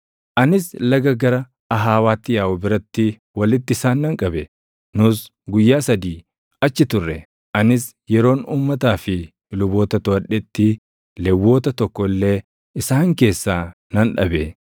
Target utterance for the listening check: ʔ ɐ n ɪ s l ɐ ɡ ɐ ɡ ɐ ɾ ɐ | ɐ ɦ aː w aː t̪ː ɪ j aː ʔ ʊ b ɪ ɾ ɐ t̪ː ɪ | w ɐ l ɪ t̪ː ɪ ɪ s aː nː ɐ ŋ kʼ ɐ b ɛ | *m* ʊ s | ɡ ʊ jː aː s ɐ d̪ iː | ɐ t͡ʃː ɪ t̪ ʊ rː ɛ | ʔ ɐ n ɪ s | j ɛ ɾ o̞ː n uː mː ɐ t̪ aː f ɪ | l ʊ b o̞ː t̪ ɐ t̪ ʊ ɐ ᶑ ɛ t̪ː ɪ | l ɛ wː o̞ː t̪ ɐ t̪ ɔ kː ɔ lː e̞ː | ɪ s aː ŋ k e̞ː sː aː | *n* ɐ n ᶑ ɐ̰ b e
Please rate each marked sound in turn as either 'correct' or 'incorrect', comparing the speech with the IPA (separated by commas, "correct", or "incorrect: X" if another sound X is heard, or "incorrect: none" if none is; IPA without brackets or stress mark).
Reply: incorrect: n, correct